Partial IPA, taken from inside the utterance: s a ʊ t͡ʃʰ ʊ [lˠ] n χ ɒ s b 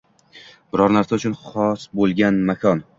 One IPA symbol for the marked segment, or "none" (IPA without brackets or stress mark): none